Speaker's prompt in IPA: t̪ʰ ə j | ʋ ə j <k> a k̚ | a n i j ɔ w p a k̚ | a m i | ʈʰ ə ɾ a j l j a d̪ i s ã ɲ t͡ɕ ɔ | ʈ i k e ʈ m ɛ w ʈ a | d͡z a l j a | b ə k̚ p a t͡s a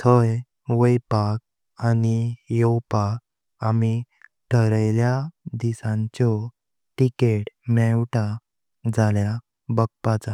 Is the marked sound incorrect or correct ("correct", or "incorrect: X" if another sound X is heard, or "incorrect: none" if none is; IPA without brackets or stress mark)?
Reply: incorrect: p